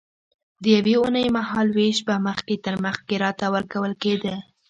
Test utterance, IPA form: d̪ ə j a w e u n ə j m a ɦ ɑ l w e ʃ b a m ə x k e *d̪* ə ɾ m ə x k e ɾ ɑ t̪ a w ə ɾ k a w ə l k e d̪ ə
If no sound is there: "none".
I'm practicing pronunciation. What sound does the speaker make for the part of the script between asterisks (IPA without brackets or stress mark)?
t̪